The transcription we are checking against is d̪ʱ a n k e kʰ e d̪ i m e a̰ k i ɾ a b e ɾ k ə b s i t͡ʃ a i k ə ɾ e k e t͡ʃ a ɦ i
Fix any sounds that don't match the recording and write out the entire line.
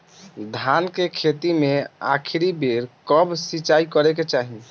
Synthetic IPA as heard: d̪ʱ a n k e kʰ e t̪ i m e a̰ kʰ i ɾ i b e ɾ k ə b s i t͡ʃ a i k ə ɾ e k e t͡ʃ a ɦ i